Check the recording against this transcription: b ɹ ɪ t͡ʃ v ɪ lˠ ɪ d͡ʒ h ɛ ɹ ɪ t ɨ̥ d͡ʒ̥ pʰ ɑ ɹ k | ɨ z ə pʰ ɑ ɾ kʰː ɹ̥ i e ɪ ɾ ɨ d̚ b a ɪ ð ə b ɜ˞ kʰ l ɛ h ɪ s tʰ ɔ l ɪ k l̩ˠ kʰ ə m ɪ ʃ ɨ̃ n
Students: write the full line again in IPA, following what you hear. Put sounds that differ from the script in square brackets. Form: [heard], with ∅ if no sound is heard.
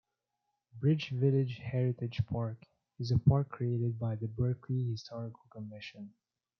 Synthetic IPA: b ɹ ɪ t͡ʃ v ɪ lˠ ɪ d͡ʒ h ɛ ɹ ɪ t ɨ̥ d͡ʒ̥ pʰ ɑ ɹ k | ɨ z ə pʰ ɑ [ɹ] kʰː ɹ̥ i e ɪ ɾ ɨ d̚ b a ɪ ð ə b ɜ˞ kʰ l [i] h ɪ s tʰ ɔ [ɹ] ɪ k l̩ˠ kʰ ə m ɪ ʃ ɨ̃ n